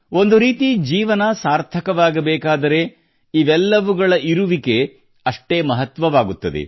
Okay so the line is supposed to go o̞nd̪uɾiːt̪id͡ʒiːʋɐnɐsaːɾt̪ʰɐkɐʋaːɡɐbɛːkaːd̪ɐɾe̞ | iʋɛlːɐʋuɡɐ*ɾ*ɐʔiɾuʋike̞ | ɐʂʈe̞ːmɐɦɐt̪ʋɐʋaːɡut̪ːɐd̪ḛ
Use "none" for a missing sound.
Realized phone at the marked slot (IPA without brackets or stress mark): ɭ